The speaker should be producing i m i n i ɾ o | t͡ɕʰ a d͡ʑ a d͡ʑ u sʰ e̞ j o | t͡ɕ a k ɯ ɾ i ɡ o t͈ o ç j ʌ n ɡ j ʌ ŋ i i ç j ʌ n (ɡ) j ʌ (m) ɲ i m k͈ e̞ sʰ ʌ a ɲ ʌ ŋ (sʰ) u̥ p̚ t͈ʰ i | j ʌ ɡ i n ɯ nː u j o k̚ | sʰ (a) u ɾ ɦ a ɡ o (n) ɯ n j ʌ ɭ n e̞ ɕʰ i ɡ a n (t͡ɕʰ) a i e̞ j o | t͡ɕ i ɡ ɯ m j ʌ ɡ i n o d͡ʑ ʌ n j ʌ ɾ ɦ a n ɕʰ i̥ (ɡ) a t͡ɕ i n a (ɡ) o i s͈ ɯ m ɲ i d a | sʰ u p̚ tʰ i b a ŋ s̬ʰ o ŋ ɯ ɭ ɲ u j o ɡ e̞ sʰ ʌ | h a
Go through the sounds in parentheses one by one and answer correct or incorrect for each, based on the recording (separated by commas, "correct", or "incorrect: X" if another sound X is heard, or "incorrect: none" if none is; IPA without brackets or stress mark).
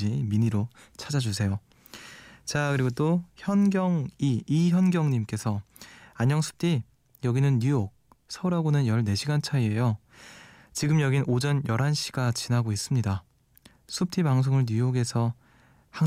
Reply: correct, incorrect: ŋ, correct, incorrect: ʌ, correct, correct, correct, correct